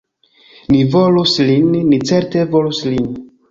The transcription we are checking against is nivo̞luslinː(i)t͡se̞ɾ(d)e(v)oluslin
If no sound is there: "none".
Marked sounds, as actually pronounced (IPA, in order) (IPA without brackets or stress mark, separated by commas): i, t, v